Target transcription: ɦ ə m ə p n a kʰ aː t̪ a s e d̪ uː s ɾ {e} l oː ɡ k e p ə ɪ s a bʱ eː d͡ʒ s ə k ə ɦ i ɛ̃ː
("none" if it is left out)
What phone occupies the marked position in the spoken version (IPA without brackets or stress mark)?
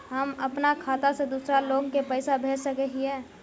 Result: a